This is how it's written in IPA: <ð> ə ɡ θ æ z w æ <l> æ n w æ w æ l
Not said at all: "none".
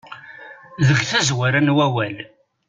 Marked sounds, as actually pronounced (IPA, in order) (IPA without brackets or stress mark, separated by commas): ð, ɾ